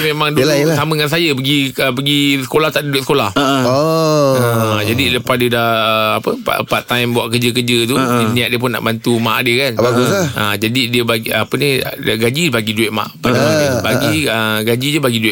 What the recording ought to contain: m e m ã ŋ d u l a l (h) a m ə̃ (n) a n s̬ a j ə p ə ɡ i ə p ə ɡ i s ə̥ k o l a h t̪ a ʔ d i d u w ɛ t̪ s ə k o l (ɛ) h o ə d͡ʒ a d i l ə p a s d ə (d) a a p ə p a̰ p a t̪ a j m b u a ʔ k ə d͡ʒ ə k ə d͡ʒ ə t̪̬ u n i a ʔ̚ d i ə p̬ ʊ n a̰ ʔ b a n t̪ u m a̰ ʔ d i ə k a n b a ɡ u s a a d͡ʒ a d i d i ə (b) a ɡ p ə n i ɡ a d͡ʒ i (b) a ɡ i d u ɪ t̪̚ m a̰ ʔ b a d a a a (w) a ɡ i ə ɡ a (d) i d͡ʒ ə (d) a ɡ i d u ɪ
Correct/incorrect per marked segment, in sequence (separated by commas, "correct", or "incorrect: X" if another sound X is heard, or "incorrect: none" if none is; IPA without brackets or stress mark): incorrect: s, incorrect: ŋ, incorrect: a, correct, correct, correct, incorrect: b, incorrect: d͡ʒ, incorrect: b